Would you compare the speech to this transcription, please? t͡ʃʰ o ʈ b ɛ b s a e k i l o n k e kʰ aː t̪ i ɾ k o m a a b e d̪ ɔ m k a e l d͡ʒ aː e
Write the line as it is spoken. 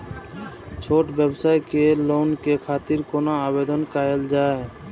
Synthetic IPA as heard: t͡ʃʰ o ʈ b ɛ b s a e k e l o n k e kʰ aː t̪ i ɾ k o n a a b e d̪ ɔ n k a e l d͡ʒ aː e